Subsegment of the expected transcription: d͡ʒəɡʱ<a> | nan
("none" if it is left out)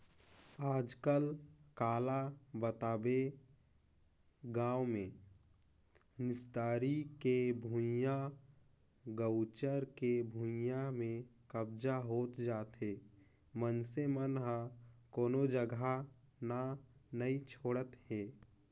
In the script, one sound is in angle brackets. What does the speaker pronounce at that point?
a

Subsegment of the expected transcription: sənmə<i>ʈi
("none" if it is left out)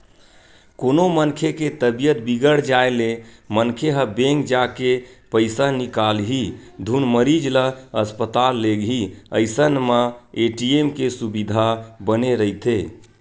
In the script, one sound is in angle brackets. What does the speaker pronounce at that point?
e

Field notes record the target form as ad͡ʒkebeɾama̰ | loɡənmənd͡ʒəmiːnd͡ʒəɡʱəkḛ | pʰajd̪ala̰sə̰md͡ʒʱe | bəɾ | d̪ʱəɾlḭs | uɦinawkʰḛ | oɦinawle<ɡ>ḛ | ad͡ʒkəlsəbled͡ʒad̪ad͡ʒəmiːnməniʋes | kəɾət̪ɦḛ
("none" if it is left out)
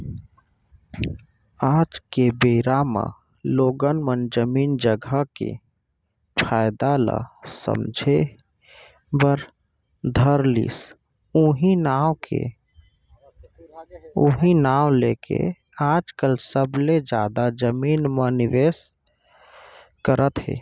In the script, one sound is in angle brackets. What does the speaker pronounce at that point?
k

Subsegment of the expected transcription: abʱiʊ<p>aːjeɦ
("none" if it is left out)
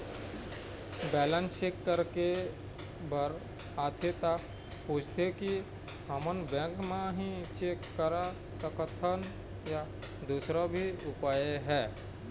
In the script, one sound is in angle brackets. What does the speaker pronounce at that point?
p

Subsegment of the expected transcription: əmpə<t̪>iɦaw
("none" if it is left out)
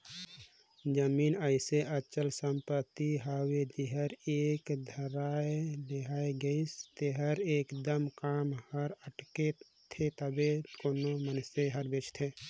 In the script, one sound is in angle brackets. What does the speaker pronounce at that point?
t̪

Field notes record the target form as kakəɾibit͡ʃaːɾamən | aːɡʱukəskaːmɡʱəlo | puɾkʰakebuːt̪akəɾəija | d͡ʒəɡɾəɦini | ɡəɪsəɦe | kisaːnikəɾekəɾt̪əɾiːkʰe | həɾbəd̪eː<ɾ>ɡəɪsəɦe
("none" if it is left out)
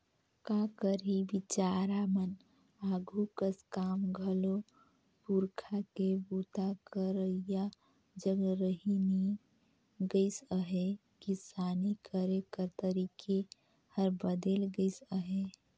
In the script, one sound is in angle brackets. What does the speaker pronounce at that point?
l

